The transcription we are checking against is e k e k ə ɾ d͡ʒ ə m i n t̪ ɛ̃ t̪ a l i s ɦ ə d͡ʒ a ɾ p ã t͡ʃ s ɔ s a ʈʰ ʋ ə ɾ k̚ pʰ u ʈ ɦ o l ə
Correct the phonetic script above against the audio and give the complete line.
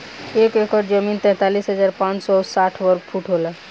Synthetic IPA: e k e k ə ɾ d͡ʒ ə m i n t̪ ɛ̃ t̪ a l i s ɦ ə d͡ʒ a ɾ p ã t͡ʃ s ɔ s a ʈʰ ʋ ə ɾ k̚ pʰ u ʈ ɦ o l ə